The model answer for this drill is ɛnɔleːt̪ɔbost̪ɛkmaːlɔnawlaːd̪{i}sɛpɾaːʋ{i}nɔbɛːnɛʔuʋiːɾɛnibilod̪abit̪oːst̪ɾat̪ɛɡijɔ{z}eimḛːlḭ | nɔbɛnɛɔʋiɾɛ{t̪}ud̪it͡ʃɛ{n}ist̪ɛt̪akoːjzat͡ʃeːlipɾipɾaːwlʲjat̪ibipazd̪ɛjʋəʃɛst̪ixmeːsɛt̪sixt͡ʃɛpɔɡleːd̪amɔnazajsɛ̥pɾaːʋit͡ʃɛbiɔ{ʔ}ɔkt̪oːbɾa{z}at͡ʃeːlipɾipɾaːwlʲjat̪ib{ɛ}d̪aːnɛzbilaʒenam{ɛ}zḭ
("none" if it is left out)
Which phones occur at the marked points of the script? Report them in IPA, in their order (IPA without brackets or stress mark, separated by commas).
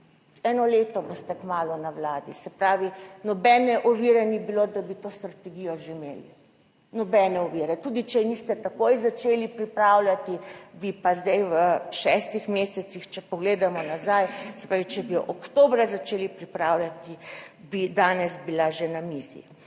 i, i, ʒ, t̪, n, ʔ, z, i, i